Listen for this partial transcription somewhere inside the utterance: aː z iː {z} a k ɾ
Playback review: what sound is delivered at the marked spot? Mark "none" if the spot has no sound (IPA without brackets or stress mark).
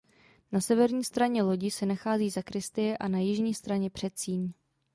z